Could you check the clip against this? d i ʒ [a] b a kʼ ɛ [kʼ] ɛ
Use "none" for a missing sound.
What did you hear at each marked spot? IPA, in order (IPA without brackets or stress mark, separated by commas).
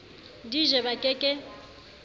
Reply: ɛ, kʼ